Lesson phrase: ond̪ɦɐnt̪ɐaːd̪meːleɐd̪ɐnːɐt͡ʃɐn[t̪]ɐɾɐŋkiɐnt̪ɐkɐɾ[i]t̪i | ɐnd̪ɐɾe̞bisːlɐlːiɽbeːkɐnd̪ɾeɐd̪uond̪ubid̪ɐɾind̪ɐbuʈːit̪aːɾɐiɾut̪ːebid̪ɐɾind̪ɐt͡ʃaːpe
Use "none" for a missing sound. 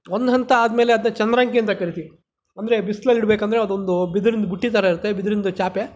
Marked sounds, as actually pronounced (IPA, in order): d̪, i

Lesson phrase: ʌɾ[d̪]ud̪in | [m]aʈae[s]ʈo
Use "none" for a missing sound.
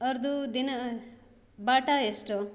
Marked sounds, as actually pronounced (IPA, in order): d̪, b, s

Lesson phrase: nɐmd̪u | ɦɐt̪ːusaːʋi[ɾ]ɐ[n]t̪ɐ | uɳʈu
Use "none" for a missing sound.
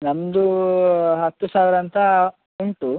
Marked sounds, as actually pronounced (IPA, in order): ɾ, n

